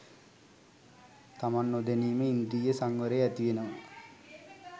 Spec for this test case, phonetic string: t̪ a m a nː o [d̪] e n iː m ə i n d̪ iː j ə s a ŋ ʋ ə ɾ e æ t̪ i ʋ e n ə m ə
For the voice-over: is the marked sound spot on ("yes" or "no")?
yes